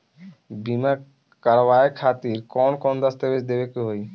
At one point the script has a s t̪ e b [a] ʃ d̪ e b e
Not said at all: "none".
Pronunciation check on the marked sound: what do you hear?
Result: e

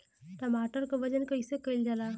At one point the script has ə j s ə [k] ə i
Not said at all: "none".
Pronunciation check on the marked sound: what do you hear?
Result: k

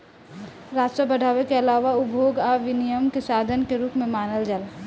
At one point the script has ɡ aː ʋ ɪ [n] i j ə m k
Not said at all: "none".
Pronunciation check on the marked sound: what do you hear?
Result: n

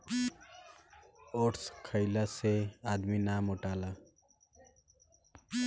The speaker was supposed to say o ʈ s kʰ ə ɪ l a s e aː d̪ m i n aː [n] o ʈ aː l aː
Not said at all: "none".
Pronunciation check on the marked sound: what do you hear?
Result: m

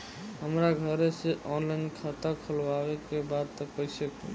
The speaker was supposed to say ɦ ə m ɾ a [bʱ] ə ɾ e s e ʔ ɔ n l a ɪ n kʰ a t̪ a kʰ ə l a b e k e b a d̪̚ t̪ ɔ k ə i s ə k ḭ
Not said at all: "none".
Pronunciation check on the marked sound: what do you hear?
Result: ɡʱ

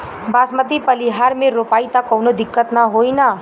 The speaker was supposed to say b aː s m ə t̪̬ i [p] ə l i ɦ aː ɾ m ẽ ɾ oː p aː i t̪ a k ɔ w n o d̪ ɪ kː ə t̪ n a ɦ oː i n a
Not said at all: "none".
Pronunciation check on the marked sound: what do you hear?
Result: p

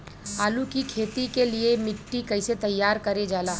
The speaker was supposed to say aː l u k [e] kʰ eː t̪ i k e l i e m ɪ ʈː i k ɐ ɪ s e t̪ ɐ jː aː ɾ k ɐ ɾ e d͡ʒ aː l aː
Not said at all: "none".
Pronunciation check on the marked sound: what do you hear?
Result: i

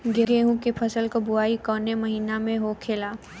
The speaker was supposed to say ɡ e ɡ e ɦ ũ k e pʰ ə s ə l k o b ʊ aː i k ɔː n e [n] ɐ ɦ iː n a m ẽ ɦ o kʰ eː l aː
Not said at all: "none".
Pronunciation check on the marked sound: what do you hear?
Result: m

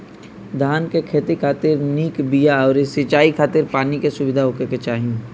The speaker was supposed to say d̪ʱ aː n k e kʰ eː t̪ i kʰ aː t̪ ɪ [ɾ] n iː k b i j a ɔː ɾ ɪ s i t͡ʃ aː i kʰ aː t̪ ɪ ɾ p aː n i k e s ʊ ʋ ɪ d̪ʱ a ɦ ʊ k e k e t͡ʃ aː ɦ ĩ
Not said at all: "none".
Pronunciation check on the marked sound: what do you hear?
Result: ɾ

